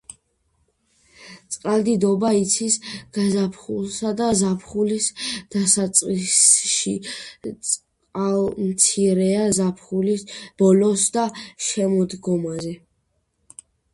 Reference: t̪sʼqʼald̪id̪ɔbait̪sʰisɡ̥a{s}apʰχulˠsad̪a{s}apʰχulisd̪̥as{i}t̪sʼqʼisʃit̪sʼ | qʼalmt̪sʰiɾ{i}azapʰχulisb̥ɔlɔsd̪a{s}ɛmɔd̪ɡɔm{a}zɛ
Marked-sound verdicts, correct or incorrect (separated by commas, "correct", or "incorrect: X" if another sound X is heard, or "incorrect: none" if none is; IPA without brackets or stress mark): incorrect: z, incorrect: z, incorrect: a, incorrect: ɛ, incorrect: ʃ, correct